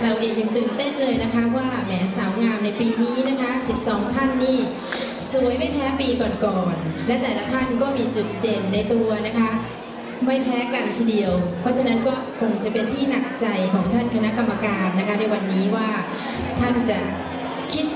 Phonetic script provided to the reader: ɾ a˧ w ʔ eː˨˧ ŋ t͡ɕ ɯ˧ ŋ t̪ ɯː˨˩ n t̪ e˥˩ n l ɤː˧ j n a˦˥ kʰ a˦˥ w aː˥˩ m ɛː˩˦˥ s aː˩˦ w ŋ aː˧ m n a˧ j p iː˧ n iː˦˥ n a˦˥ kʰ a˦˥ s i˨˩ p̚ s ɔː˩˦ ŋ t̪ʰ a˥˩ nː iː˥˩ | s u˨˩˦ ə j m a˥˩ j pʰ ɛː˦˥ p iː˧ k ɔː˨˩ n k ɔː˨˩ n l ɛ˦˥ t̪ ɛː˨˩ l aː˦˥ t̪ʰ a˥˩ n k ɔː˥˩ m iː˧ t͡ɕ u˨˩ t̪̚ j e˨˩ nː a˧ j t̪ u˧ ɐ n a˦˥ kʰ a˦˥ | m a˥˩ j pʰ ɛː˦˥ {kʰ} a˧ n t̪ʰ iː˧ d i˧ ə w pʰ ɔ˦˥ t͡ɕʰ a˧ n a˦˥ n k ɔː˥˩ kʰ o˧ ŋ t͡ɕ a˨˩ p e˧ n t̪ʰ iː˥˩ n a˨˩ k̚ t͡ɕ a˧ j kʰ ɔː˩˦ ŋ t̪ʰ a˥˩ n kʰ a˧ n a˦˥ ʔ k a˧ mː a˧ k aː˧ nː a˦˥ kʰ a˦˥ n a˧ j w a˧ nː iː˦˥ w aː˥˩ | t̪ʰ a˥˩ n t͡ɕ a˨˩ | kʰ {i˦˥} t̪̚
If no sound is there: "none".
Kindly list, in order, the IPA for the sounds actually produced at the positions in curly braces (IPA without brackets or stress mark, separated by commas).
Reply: k, i˦˥